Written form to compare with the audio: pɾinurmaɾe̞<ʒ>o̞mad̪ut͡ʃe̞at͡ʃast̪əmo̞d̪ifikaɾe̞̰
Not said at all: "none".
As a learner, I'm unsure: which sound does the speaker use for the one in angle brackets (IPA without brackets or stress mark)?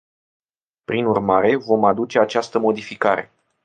v